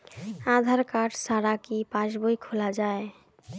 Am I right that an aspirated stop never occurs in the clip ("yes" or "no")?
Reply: no